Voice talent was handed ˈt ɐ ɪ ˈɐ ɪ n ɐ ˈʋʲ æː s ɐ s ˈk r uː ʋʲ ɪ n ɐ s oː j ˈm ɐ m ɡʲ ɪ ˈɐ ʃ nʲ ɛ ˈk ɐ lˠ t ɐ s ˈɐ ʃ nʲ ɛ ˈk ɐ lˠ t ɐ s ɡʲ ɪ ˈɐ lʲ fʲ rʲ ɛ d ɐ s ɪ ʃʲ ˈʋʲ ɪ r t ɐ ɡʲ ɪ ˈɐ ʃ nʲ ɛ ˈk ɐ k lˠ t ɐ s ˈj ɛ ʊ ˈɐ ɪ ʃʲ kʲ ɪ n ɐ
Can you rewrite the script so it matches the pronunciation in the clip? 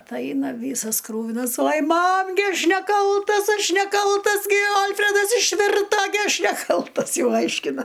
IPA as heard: ˈt ɐ ɪ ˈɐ ɪ n ɐ ˈʋʲ iː s ɐ s ˈk r uː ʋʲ ɪ n ɐ s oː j ˈm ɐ m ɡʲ ɪ ˈɐ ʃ nʲ ɛ ˈk ɐ lˠ t ɐ s ˈɐ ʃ nʲ ɛ ˈk ɐ lˠ t ɐ s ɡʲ ɪ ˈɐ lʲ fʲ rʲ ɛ d ɐ s ɪ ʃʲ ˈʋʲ ɪ r t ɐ ɡʲ ɪ ˈɐ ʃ nʲ ɛ ˈk ɐ lˠ t ɐ s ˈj ɛ ʊ ˈɐ ɪ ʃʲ kʲ ɪ n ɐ